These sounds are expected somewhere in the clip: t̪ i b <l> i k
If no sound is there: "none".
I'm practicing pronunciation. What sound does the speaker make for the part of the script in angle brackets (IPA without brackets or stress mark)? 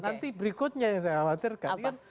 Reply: ɾ